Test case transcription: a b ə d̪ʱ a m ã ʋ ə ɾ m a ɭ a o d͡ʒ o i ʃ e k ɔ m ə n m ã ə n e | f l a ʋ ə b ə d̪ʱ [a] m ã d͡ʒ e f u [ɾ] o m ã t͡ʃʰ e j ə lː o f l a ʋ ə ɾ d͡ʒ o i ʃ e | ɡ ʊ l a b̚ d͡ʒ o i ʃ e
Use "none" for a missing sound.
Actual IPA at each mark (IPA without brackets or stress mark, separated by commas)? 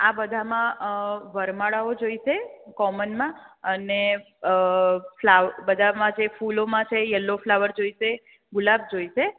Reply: a, l